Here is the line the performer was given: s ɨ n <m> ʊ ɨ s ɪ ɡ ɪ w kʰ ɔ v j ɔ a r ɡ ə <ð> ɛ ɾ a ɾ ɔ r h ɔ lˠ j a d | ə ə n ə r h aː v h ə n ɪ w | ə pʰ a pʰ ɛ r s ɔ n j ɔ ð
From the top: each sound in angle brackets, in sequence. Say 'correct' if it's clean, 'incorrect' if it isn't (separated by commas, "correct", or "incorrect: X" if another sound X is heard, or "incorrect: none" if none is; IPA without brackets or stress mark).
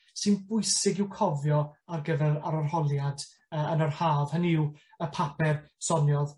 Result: incorrect: b, incorrect: v